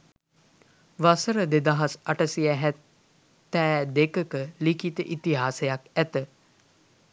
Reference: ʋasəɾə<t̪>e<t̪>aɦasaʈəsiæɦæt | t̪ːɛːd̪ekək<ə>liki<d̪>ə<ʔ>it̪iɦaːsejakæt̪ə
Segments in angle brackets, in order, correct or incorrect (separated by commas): incorrect, incorrect, correct, incorrect, correct